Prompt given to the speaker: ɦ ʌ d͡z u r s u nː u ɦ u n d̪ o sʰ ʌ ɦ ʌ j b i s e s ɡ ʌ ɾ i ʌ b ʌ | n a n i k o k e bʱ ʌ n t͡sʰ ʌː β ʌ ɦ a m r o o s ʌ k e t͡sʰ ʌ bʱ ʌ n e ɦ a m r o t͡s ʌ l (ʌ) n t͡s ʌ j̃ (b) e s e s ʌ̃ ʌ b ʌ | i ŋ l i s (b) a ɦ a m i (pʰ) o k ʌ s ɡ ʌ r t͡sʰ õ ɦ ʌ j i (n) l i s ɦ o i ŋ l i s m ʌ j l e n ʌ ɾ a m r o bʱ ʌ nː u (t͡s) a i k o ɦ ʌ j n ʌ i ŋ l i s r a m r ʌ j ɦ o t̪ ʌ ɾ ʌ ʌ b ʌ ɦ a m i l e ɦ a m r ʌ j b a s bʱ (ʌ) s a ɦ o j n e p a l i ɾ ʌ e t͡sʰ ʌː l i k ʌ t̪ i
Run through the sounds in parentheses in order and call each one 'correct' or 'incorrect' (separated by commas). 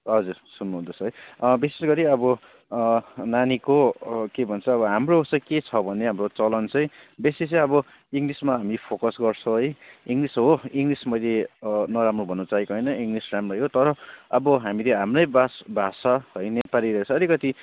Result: correct, correct, incorrect, correct, incorrect, correct, incorrect